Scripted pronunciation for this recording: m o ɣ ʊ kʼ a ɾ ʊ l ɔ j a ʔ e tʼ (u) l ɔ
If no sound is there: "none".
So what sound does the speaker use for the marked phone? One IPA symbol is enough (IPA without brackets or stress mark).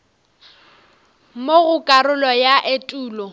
uː